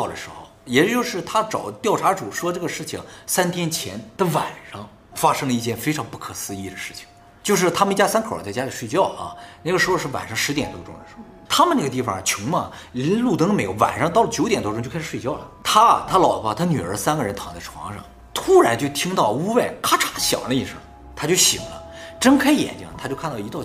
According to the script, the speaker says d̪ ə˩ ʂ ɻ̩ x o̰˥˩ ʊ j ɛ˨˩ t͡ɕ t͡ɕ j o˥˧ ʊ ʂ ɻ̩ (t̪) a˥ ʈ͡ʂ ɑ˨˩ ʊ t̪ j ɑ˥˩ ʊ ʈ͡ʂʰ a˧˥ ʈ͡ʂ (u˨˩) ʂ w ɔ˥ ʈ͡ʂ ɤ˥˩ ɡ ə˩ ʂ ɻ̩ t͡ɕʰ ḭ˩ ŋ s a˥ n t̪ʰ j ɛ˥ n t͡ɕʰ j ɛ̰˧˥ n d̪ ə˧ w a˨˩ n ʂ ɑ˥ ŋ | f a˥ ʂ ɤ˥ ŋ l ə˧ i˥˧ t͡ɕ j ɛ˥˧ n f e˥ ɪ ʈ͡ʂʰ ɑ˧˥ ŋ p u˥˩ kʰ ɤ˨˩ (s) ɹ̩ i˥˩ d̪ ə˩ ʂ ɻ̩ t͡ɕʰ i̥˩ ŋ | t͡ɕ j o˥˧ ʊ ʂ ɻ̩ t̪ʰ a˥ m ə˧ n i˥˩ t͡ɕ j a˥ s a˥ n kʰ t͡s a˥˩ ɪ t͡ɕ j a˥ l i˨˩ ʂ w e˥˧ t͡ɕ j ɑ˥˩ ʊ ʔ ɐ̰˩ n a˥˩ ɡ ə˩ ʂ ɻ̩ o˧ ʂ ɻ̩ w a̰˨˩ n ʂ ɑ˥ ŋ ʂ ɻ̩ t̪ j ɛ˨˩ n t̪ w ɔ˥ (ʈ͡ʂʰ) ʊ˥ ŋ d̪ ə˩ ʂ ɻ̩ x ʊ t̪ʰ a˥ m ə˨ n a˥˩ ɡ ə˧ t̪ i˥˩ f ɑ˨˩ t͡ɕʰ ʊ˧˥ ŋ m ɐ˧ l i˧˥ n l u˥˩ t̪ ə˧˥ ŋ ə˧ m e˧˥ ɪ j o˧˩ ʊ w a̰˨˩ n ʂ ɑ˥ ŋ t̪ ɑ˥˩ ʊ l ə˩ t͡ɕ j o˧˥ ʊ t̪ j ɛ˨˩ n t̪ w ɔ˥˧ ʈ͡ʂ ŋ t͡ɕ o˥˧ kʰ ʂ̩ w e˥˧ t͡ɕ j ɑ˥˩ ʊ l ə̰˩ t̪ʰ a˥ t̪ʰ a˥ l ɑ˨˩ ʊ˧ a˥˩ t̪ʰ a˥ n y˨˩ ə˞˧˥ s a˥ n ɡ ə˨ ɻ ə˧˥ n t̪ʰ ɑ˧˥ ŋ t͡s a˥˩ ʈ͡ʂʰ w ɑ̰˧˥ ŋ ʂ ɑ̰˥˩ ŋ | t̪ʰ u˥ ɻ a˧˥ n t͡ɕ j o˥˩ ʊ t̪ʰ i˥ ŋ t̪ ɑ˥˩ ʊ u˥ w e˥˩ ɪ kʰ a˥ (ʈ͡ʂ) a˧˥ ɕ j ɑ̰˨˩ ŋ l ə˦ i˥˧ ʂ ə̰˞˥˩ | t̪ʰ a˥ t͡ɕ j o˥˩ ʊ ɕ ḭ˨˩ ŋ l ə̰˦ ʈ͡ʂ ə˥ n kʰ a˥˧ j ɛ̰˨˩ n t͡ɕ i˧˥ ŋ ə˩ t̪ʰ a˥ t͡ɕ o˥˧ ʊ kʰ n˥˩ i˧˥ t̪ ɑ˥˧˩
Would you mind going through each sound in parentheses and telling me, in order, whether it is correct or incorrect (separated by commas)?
incorrect, correct, correct, incorrect, incorrect